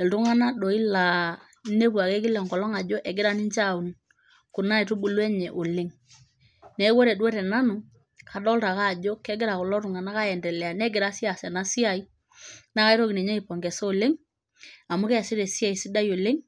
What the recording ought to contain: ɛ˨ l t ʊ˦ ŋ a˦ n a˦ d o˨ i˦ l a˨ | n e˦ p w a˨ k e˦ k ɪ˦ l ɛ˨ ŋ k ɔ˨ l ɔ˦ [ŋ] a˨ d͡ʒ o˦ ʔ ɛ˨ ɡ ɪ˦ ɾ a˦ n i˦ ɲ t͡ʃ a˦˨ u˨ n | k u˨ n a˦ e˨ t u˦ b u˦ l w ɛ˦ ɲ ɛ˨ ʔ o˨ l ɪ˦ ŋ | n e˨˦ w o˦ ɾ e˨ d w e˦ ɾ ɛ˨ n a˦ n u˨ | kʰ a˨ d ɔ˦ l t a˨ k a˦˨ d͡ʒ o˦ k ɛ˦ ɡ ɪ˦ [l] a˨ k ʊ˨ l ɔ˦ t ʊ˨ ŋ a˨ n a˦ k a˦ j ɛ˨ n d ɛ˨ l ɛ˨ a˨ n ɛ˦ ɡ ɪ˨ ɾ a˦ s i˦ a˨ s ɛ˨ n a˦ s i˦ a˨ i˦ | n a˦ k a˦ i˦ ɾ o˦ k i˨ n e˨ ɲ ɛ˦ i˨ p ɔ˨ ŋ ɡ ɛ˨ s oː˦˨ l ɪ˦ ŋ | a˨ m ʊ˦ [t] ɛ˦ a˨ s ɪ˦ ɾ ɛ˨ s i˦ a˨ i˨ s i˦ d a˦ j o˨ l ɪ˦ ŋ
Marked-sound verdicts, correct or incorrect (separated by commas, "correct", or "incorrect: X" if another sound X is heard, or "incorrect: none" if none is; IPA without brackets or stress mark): correct, incorrect: ɾ, incorrect: k